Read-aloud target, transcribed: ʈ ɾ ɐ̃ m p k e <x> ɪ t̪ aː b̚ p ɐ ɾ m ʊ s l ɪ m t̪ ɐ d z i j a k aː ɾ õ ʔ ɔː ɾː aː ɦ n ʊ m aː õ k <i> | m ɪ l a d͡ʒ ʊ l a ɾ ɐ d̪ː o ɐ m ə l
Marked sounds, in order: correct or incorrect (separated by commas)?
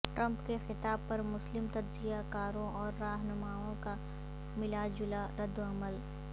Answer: correct, incorrect